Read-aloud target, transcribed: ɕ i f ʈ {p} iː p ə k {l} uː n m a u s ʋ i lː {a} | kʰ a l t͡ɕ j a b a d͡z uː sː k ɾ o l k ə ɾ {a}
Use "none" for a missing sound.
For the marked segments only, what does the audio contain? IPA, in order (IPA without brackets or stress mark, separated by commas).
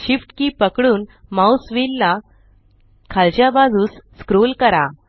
k, ɽ, a, a